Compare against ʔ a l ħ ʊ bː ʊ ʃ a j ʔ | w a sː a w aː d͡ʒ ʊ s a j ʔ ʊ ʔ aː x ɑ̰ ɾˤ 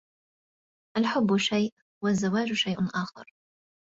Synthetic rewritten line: ʔ a l ħ ʊ bː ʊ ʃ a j ʔ | w a zː a w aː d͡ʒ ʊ ʃ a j ʔ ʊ ʔ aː x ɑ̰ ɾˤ